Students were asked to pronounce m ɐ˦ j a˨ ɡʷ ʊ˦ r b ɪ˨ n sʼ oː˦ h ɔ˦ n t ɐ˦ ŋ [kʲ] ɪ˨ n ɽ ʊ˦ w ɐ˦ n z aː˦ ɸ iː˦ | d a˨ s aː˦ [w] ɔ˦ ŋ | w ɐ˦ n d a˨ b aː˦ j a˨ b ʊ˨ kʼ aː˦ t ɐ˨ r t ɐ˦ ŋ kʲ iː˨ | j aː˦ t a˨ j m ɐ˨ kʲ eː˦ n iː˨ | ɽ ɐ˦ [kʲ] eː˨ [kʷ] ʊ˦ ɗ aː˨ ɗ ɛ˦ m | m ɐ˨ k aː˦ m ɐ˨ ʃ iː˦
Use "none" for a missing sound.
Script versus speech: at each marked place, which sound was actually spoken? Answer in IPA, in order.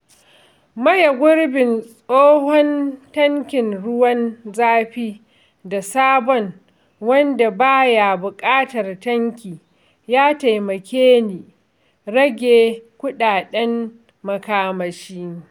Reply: kʲ, b, ɡʲ, kʷ

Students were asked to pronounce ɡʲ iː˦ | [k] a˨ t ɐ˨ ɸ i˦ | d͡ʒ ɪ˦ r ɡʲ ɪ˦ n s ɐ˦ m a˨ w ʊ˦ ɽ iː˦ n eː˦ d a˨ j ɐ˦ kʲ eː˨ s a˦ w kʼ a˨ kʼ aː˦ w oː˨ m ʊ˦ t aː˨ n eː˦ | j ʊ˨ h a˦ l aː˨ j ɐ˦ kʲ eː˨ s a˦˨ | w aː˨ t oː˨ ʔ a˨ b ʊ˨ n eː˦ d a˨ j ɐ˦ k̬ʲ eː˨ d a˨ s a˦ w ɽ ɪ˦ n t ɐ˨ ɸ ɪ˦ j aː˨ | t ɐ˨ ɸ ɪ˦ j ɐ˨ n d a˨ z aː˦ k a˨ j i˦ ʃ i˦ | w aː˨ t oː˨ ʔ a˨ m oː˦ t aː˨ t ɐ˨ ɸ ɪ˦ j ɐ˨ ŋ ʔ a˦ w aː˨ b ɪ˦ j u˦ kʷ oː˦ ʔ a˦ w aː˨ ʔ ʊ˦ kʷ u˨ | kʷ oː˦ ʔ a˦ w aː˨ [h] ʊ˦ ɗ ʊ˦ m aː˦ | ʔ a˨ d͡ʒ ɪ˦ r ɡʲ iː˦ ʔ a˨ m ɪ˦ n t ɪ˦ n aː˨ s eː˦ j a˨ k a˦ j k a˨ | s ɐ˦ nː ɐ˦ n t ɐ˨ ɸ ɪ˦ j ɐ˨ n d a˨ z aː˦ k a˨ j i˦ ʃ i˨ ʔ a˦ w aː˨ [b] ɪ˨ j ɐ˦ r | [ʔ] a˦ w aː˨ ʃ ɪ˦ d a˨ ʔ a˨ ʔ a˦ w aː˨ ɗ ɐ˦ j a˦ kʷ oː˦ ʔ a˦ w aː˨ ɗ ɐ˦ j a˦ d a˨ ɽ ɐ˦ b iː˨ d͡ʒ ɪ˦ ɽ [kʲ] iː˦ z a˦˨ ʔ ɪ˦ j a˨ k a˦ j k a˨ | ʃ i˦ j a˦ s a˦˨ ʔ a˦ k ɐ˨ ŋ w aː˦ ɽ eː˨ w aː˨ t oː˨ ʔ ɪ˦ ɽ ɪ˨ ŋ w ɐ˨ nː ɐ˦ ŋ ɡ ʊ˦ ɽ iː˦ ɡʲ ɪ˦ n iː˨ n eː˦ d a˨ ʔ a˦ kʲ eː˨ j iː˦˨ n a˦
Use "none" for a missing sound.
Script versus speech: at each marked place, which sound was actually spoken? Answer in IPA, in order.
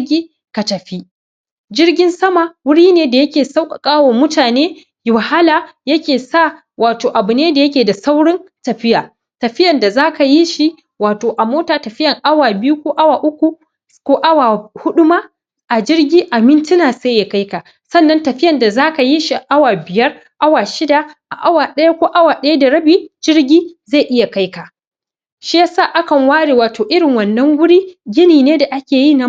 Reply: k, h, b, ʔ, ɡʲ

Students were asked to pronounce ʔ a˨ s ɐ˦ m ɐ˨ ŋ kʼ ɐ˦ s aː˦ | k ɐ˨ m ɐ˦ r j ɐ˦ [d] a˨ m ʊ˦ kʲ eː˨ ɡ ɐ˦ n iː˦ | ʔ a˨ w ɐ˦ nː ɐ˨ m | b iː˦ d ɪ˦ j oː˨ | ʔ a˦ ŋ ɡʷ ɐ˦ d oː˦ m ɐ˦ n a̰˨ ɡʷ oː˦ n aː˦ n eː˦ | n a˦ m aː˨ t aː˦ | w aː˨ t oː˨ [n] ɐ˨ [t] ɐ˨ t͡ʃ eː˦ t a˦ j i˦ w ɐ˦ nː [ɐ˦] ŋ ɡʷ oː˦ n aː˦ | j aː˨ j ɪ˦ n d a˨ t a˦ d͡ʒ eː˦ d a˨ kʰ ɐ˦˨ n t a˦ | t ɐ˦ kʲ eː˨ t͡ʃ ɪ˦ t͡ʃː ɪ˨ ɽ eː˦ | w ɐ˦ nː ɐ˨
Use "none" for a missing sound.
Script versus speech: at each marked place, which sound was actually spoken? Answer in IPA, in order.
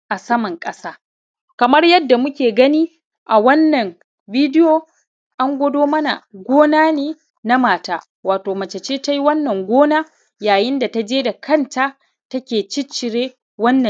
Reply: dː, m, t͡ʃ, ɐ˨

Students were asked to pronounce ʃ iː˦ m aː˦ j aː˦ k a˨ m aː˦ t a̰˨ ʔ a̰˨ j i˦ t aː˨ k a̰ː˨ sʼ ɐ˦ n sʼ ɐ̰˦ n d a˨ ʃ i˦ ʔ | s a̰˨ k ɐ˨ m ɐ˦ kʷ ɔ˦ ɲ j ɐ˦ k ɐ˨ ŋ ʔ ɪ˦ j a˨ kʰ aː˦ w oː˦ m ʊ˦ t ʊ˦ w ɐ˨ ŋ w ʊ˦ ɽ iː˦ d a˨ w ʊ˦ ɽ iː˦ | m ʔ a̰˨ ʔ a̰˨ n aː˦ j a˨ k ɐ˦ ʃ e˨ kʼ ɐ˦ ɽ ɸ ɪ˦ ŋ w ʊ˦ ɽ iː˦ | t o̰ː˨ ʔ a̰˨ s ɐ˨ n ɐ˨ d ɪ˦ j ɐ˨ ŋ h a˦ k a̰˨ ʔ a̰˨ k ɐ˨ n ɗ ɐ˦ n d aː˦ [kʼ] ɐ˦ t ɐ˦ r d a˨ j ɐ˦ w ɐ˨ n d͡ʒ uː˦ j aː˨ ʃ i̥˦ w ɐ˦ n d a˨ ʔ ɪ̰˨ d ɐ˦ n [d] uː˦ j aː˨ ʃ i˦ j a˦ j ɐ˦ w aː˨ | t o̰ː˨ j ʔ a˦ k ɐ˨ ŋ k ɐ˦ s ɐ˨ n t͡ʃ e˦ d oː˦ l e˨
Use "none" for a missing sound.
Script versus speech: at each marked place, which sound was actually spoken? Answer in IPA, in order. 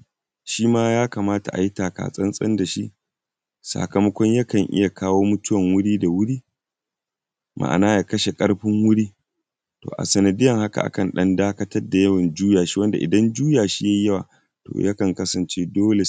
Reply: k, d͡ʒ

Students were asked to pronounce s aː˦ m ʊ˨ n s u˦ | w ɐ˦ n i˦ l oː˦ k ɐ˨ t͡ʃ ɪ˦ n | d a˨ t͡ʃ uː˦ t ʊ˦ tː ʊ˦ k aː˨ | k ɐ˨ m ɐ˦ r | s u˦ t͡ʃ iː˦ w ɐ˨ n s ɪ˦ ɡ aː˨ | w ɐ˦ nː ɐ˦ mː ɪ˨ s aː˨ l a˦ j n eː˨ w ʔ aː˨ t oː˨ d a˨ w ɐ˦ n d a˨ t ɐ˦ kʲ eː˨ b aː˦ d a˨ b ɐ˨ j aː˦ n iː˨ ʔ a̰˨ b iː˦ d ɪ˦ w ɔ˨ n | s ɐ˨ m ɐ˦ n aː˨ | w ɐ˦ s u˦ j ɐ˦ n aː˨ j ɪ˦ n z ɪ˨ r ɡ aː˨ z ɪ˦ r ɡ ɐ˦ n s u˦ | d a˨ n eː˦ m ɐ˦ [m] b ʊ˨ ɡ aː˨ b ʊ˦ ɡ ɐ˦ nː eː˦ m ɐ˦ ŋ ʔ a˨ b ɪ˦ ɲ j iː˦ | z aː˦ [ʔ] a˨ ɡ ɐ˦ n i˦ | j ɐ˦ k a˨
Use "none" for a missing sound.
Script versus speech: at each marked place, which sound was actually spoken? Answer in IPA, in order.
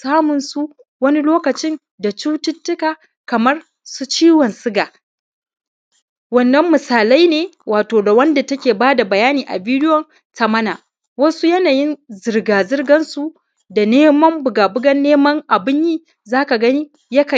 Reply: m, k

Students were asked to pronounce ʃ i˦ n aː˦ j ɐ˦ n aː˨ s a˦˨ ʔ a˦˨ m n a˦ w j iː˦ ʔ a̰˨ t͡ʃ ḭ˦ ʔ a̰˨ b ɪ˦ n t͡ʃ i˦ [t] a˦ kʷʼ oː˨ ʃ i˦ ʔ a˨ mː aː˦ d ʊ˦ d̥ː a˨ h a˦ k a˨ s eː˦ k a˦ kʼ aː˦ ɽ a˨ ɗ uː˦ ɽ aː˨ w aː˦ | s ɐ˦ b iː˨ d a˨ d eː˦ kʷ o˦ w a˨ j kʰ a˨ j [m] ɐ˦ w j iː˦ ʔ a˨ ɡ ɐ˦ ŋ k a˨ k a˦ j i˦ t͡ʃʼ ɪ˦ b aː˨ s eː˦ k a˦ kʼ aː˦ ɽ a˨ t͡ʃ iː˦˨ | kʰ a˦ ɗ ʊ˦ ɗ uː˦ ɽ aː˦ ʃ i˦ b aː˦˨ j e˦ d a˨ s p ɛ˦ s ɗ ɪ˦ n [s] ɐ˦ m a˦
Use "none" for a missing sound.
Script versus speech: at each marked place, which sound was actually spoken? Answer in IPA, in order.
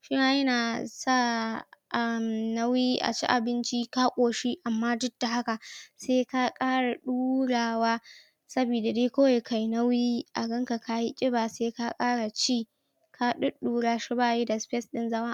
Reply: k, n, z

